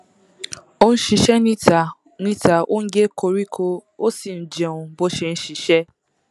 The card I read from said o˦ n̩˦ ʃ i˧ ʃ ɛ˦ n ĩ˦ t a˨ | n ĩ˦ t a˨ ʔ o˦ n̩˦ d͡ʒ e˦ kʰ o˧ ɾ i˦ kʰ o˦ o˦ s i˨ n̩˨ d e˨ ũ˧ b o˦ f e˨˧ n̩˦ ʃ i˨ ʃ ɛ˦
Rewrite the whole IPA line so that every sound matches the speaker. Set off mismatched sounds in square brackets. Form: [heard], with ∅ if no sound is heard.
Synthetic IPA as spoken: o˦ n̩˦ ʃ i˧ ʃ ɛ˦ n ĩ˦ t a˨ | n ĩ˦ t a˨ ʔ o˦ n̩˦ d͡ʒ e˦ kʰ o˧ ɾ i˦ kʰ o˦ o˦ s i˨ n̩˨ [d͡ʒ] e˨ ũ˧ b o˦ [ʃ] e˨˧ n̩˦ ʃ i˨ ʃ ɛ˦